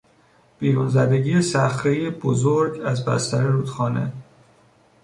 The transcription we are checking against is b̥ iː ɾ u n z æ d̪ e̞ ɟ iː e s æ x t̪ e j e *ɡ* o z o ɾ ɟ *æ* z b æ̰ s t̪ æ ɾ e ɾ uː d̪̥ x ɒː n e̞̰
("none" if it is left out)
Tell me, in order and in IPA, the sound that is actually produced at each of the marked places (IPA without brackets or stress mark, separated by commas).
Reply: b, æ